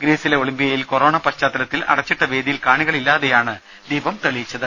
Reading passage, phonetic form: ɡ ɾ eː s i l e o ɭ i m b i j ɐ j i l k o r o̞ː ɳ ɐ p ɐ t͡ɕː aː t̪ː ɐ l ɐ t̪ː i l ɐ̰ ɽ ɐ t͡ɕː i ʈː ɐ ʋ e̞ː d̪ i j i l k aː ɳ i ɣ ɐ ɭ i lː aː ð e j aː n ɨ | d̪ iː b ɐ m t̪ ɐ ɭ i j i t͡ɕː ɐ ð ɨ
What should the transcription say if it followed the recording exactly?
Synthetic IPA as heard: ɡ ɾ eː s i l e o ɭ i m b i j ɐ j i l k o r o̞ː ɳ ɐ p ɐ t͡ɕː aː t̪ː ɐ l ɐ t̪ː i l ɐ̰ ɽ ɐ t͡ɕː i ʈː ɐ ʋ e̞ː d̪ i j i l k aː ɳ i ɣ ɐ ɭ i lː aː ð e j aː ɳ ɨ | d̪ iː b ɐ m t̪ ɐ ɭ i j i t͡ɕː ɐ ð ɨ